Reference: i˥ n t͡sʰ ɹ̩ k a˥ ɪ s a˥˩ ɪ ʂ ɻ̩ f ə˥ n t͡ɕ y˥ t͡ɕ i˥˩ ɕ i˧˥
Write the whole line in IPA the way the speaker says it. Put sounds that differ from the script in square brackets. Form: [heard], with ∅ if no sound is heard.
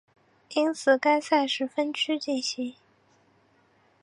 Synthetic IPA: i˥ n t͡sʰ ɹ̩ k a˥ ɪ s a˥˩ ɪ ʂ ɻ̩ f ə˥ n [t͡ɕʰ] y˥ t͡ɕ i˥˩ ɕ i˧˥